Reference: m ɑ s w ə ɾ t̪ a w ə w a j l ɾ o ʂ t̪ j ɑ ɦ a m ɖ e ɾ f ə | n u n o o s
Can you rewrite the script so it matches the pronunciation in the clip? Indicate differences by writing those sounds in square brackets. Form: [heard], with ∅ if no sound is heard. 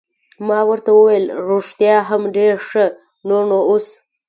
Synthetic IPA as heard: m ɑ [∅] w ə ɾ t̪ a w ə w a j l ɾ o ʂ t̪ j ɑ ɦ a m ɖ e ɾ [ʂ] ə | n [o] n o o s